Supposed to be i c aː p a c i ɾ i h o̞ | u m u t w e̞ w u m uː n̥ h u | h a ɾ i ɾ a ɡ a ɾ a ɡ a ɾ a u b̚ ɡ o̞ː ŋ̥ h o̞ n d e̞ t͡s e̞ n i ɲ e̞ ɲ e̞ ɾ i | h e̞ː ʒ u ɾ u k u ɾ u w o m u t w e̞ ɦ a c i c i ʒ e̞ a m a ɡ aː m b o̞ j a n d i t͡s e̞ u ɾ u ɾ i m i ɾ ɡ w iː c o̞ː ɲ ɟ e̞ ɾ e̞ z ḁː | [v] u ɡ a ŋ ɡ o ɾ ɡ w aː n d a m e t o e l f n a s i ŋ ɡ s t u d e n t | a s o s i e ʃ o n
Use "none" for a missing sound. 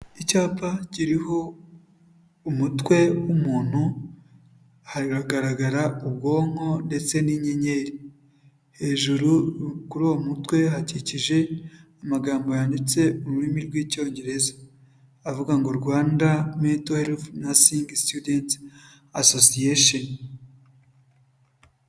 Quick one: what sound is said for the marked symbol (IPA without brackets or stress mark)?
v